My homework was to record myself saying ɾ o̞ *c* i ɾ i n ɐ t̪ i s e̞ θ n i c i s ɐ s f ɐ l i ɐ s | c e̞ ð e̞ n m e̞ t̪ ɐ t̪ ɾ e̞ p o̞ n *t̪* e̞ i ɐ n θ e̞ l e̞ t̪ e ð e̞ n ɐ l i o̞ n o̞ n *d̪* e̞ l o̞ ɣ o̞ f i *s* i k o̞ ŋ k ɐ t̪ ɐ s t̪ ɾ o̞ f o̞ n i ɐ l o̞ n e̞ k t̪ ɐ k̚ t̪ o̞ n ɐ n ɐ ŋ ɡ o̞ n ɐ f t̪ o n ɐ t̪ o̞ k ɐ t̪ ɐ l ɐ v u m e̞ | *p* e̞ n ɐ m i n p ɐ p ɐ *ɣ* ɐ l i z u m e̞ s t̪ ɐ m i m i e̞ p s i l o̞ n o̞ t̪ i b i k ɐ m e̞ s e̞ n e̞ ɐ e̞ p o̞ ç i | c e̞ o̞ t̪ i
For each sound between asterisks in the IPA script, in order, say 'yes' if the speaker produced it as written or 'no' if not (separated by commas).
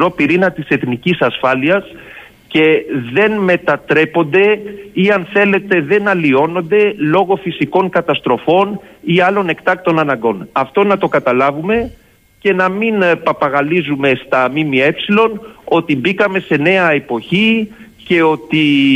no, no, yes, yes, no, yes